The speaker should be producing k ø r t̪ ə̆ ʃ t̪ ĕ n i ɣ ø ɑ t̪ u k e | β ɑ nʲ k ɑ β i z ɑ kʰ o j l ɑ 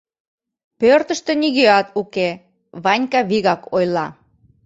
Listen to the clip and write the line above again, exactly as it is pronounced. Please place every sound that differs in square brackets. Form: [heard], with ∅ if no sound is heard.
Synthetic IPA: [p] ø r t̪ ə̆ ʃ t̪ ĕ n i ɣ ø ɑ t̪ u k e | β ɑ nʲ k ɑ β i [ɣ] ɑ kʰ o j l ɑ

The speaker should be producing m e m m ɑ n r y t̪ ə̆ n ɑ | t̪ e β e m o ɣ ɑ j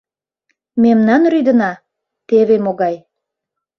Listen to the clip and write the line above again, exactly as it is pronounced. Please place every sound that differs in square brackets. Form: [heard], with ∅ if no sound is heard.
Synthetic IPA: m e m [n] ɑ n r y [d̪] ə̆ n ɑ | t̪ e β e m o ɣ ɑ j

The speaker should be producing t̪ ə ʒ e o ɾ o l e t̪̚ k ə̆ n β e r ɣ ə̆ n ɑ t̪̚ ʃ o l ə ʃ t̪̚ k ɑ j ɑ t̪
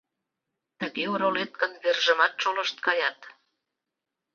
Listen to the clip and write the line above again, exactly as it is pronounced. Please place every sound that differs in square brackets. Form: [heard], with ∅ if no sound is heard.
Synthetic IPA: t̪ ə [ɣ] e o ɾ o l e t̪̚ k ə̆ n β e r [ʒ] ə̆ [m] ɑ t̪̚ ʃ o l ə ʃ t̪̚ k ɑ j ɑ t̪

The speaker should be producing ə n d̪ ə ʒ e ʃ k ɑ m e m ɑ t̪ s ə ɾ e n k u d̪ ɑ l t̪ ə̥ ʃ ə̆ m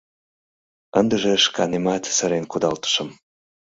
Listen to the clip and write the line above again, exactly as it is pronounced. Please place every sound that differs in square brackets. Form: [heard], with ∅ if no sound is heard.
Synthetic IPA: ə n d̪ ə ʒ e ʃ k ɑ [n] e m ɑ t̪ s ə ɾ e n k u d̪ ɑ l t̪ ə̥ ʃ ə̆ m

